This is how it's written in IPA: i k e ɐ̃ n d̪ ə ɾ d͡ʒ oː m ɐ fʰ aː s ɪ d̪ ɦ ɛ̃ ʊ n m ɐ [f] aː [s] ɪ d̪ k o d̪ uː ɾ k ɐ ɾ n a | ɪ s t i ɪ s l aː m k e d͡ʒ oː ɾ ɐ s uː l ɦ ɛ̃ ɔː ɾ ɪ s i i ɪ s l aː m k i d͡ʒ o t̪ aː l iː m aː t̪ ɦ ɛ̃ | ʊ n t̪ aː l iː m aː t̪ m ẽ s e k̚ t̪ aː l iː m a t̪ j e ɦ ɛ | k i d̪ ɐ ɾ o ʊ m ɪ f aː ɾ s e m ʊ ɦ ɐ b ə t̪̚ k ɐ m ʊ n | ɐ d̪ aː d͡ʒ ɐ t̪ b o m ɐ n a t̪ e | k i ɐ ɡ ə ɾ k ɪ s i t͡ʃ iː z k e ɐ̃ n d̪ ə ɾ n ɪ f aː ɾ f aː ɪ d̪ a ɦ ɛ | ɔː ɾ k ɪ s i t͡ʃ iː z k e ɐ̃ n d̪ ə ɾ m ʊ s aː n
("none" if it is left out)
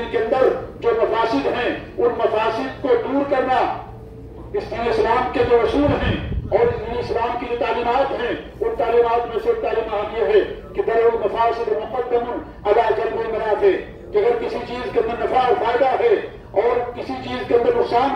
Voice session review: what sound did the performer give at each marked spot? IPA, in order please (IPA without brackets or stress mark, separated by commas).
f, s